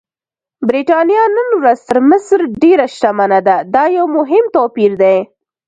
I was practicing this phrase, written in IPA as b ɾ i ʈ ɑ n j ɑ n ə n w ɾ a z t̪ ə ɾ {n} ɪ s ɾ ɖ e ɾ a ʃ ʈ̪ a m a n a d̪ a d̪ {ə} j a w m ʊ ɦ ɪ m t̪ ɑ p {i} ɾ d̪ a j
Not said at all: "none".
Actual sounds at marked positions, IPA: m, ɑ, i

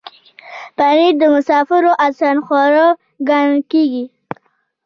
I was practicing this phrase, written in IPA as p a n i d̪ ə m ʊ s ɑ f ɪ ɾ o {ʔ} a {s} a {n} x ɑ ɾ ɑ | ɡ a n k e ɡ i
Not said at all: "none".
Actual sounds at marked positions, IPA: ʔ, s, n

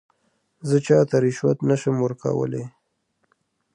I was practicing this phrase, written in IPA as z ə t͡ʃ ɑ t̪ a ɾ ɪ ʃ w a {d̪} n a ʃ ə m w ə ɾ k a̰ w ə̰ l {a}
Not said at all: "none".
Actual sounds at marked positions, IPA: t̪, e

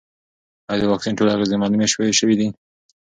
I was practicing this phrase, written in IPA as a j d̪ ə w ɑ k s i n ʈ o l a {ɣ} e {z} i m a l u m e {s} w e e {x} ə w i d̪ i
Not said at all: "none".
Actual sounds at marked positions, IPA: ɣ, z, ʃ, ʃ

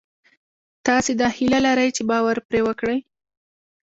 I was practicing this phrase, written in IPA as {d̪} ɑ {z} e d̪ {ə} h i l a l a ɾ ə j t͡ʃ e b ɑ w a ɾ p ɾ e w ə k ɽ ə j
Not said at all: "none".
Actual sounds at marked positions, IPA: t̪, s, ɑ

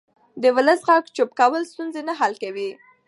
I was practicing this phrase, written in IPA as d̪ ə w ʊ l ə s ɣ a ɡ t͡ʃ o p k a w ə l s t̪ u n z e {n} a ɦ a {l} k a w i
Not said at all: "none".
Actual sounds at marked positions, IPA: n, l

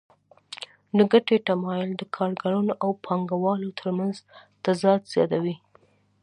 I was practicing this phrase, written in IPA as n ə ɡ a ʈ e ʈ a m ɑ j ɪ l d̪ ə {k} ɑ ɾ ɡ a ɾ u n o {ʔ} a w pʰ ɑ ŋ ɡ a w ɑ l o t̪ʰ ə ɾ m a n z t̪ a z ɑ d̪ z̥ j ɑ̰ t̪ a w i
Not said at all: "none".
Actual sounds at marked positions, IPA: kʰ, ʔ

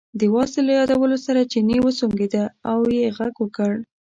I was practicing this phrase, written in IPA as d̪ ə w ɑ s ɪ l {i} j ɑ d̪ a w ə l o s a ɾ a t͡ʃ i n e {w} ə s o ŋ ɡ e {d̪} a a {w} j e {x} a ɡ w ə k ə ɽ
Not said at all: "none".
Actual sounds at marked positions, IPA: a, w, d̪, w, ɣ

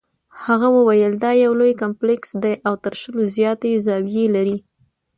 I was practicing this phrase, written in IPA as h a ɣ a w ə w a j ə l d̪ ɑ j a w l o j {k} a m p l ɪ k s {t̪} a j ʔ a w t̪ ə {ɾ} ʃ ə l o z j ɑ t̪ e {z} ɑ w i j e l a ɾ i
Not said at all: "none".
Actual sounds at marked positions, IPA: k, d̪, ɾ, z

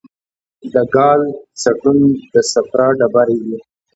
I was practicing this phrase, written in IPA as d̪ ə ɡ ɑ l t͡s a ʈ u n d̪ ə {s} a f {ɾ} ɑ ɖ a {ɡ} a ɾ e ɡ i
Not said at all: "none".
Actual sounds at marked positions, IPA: s, ɾ, b

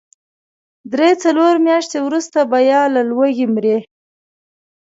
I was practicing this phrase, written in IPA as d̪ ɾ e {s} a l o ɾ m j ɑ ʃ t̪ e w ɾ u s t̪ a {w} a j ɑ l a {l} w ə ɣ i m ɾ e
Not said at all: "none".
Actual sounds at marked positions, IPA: t͡s, b, l

